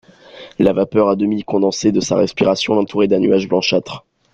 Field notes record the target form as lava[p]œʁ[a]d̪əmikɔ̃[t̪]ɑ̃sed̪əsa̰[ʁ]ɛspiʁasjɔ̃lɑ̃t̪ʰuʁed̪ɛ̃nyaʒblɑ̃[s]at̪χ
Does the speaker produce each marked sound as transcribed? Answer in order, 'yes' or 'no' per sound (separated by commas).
yes, yes, no, yes, no